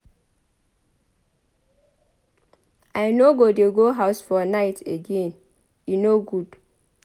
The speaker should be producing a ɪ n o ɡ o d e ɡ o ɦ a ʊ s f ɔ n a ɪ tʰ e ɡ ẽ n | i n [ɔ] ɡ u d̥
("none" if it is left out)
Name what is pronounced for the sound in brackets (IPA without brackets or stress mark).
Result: o